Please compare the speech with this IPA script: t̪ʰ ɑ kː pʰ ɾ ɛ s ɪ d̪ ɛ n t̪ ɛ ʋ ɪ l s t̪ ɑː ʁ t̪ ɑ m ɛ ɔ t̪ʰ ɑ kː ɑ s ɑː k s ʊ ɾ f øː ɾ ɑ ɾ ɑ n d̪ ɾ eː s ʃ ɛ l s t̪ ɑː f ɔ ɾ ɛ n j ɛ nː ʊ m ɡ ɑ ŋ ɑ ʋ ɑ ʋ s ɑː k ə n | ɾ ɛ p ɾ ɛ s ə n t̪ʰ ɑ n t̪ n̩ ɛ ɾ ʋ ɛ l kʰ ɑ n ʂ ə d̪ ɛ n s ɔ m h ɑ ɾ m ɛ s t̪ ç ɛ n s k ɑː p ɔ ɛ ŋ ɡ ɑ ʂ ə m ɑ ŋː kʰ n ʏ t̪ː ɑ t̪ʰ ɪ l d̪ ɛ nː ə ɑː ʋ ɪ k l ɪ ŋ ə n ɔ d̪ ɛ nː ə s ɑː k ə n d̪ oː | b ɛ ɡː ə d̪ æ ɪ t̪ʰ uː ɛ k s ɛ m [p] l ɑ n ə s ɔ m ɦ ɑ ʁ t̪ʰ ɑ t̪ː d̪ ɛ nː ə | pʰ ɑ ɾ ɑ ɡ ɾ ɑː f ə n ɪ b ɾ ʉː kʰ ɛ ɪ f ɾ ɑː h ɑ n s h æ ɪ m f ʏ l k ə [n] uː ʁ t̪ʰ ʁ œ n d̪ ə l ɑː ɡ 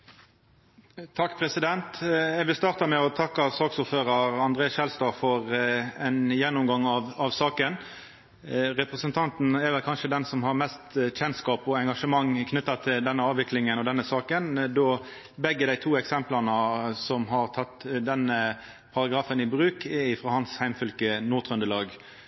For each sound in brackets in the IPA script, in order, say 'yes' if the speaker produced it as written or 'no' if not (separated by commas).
yes, yes